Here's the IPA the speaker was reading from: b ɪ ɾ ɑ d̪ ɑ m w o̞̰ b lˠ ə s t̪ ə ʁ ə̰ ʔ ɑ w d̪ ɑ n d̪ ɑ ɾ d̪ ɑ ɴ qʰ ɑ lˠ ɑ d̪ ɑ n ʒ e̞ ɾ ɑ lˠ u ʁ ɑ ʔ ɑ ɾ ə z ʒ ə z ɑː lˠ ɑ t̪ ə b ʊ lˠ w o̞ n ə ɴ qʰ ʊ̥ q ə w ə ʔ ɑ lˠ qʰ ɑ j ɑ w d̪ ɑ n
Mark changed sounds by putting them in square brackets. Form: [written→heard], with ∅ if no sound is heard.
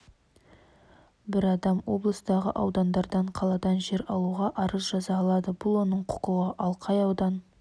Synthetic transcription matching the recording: b ɪ ɾ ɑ d̪ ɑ m w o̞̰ b lˠ ə s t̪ [ə→ɑ] ʁ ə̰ ʔ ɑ w d̪ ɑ n d̪ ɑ ɾ d̪ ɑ ɴ qʰ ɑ lˠ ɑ d̪ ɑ n ʒ e̞ ɾ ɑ lˠ u ʁ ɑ ʔ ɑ ɾ ə z ʒ [ə→ɑ] z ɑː lˠ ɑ [t̪→d̪] ə b ʊ lˠ w o̞ n ə ɴ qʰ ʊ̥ q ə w ə ʔ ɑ lˠ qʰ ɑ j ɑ w d̪ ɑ n